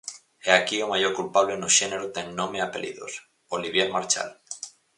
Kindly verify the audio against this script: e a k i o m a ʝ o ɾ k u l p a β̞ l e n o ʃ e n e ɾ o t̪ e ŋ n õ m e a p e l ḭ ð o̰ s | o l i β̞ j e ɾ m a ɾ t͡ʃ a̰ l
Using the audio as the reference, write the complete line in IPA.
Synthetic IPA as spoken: e a k i o m a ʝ o ɾ k u l p a β̞ l e n o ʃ e n e ɾ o t̪ e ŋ n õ m e a p e l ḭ ð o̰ s | o l i β̞ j e ɾ m a ɾ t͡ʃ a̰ l